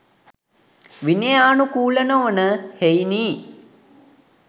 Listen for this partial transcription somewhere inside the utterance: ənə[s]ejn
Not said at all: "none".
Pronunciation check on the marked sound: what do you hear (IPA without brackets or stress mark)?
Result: h